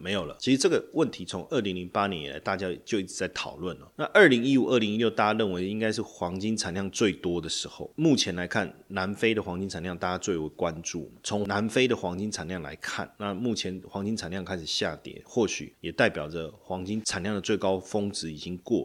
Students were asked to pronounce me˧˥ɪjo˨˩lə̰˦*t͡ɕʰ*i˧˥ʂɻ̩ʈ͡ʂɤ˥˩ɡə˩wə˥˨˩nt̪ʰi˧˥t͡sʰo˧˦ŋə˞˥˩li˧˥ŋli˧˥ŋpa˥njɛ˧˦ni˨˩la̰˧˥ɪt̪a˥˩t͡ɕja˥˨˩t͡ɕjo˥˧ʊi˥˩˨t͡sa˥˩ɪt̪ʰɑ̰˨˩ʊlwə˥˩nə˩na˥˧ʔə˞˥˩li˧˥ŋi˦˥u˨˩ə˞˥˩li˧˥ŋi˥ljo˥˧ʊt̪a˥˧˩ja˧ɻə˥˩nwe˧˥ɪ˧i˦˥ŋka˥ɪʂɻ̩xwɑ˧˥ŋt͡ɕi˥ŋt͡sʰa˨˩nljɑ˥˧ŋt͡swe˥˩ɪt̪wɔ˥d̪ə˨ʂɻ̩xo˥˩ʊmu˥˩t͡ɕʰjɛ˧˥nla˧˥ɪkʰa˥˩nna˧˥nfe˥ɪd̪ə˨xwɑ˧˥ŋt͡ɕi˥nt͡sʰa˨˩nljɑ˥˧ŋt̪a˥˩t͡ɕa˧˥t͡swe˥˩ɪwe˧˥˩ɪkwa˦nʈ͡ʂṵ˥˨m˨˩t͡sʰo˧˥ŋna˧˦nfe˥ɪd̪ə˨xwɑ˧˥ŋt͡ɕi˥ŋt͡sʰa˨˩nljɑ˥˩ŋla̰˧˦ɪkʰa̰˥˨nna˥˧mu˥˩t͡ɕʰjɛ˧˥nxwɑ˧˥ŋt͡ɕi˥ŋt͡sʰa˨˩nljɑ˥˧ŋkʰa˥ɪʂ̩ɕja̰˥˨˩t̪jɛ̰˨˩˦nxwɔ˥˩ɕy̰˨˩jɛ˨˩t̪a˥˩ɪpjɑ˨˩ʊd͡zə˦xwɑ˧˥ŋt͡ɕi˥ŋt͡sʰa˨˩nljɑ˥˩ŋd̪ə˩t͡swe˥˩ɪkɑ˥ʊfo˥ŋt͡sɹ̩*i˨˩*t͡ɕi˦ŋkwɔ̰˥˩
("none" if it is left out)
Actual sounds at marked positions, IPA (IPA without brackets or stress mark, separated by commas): t͡ɕʰ, i˨˩